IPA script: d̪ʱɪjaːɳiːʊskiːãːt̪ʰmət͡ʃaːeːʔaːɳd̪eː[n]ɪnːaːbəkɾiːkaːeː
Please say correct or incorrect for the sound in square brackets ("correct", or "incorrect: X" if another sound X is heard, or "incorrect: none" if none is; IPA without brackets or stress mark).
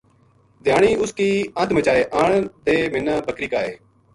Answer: incorrect: m